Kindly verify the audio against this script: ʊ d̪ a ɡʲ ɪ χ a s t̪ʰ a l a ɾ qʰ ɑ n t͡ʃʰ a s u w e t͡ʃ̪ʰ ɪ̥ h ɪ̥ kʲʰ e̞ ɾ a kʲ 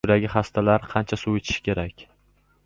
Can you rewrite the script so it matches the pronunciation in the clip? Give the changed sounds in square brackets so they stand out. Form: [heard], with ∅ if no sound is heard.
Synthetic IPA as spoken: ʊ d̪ a ɡʲ ɪ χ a s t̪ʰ a l a ɾ qʰ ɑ n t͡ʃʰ a s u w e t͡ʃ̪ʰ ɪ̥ [ʃ] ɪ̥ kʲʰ e̞ ɾ a kʲ